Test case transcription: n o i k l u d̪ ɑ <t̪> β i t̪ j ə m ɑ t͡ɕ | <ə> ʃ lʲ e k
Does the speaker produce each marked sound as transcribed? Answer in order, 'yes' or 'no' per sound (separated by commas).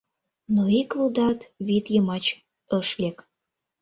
yes, yes